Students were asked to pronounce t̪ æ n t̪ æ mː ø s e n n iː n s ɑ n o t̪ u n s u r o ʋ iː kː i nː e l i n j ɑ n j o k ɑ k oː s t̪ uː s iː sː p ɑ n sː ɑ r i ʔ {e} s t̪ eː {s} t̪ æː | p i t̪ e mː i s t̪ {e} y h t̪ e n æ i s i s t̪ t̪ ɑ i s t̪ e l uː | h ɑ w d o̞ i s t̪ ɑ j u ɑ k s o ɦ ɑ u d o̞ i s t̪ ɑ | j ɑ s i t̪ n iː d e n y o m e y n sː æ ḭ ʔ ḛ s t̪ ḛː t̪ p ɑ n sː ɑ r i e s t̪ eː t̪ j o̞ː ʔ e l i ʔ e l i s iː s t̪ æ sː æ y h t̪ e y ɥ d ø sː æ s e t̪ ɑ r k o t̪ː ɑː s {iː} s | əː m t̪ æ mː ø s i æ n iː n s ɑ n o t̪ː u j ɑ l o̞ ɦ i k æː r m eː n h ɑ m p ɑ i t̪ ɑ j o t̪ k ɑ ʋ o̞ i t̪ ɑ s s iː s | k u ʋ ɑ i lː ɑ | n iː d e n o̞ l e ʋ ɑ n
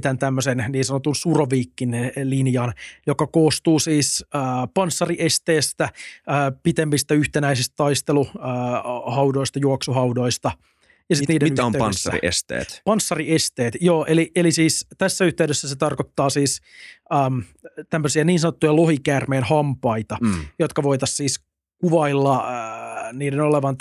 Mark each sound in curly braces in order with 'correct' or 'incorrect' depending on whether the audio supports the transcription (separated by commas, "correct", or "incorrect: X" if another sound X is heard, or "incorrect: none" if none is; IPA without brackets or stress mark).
correct, correct, incorrect: æ, correct